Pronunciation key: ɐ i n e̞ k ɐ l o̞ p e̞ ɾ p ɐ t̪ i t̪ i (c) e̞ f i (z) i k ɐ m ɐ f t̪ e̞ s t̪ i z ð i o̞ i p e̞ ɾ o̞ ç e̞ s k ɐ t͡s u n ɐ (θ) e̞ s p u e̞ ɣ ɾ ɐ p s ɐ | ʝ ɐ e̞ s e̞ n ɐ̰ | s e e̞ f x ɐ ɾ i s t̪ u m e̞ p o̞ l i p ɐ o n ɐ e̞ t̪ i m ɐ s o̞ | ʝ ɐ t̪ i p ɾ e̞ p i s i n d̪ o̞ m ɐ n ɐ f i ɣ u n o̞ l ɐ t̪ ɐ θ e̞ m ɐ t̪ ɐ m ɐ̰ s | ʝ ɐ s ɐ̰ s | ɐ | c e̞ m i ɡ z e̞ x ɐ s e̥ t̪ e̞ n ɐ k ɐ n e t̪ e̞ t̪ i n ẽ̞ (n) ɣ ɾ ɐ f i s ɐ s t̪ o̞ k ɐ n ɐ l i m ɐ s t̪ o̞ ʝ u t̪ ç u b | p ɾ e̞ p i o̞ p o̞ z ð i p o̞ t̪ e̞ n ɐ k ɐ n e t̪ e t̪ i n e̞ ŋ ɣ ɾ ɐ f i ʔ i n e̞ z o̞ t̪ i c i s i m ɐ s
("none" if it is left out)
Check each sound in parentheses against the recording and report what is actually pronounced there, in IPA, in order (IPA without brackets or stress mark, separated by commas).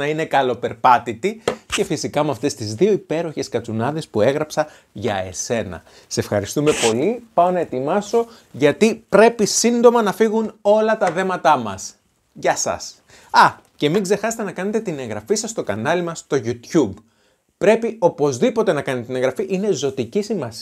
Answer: c, s, ð, ŋ